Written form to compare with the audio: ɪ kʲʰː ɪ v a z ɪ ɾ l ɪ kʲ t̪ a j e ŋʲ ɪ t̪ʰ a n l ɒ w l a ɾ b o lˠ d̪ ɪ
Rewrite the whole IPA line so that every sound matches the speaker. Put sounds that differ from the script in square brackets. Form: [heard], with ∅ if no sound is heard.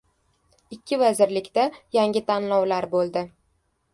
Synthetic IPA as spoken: ɪ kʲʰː ɪ v a z ɪ ɾ l ɪ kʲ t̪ a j [a] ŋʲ ɪ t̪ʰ a n l ɒ w l a ɾ b o lˠ d̪ ɪ

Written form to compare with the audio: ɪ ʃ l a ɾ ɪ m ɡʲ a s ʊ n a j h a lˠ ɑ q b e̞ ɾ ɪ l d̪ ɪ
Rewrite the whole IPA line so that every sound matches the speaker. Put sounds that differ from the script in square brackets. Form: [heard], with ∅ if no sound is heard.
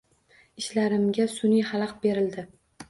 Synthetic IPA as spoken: ɪ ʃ l a ɾ ɪ m ɡʲ a s ʊ n [i] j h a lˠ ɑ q b e̞ ɾ ɪ l d̪ ɪ

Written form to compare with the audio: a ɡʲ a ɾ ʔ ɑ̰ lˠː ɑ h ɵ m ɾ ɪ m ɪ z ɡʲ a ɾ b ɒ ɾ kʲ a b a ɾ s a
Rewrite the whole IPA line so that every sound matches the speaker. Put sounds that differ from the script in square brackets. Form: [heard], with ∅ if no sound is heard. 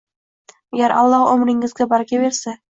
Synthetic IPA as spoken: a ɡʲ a ɾ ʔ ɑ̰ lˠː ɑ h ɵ m ɾ ɪ [ŋ] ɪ z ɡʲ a [∅] b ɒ ɾ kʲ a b [e] ɾ s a

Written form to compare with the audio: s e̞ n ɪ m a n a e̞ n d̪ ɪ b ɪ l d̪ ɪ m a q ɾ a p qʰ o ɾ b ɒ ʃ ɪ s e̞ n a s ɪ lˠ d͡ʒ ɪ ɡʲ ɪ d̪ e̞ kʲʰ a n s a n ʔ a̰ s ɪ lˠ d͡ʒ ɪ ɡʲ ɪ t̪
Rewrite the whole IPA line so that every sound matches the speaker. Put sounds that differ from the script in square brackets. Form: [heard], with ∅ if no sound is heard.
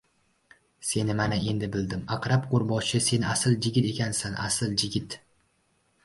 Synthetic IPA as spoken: s e̞ n ɪ m a n a e̞ n d̪ ɪ b ɪ l d̪ ɪ m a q ɾ a p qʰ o ɾ b ɒ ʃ ɪ s e̞ n a s ɪ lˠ d͡ʒ ɪ ɡʲ ɪ [t̪] e̞ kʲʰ a n s a n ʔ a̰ s ɪ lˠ d͡ʒ ɪ ɡʲ ɪ t̪

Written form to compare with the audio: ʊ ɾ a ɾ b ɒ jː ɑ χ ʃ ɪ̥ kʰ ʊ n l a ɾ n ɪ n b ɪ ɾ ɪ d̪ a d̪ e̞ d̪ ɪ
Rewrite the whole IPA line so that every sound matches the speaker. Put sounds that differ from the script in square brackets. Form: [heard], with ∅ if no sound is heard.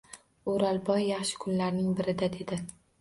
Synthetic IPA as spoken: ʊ ɾ a [l] b ɒ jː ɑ χ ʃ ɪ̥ kʰ ʊ n l a ɾ n ɪ [ŋ] b ɪ ɾ ɪ d̪ a d̪ e̞ d̪ ɪ

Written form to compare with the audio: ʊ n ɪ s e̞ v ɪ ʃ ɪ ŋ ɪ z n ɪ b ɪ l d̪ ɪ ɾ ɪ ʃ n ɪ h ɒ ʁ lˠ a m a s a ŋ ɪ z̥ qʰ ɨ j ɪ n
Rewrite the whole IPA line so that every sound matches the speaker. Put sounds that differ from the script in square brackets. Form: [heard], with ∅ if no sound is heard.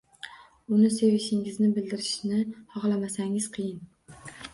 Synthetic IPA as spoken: ʊ n ɪ s e̞ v ɪ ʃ ɪ ŋ ɪ z n ɪ b ɪ l d̪ ɪ ɾ ɪ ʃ n ɪ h ɒ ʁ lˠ a m a s a ŋ ɪ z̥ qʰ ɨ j ɪ n

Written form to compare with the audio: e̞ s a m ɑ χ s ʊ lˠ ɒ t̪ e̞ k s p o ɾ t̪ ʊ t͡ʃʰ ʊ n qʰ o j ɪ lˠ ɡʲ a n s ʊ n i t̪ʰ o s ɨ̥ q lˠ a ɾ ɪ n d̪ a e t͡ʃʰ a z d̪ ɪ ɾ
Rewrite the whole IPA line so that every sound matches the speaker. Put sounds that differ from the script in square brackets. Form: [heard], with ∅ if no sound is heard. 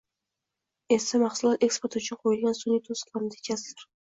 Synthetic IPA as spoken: e̞ s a m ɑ χ s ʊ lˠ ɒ t̪ e̞ k s p o ɾ t̪ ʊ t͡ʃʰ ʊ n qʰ o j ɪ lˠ ɡʲ a n s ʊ n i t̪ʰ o s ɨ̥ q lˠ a ɾ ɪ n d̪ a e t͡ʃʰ a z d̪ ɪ ɾ

